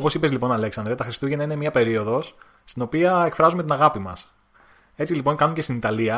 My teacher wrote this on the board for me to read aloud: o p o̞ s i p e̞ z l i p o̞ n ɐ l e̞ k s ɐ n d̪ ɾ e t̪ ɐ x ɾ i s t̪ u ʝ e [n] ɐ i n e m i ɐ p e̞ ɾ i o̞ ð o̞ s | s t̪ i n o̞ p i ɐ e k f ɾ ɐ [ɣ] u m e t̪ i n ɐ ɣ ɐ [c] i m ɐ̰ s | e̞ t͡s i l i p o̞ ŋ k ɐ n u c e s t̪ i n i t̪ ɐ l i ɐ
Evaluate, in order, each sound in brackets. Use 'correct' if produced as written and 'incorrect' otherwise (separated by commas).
correct, incorrect, incorrect